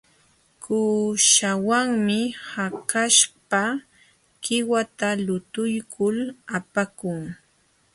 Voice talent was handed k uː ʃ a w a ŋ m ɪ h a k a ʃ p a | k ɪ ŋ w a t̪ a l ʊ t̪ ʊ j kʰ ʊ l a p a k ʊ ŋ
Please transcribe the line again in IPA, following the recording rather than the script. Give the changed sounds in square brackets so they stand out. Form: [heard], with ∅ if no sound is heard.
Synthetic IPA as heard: k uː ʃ a w a ŋ m ɪ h a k a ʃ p a | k ɪ [∅] w a t̪ a l ʊ t̪ ʊ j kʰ ʊ l a p a k ʊ ŋ